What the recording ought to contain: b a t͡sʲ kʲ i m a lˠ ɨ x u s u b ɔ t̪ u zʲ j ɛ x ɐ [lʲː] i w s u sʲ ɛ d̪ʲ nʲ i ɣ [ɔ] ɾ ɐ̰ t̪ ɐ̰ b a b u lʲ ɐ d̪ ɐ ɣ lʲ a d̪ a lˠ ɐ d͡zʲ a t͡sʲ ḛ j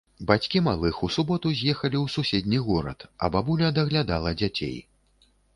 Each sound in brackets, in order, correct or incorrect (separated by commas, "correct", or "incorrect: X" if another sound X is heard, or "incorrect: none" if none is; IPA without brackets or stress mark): incorrect: lʲ, correct